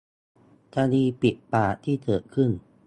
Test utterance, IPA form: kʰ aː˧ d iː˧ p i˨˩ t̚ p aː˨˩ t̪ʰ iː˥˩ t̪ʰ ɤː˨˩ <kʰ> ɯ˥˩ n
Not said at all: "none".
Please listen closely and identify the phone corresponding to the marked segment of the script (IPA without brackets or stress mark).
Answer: kʰ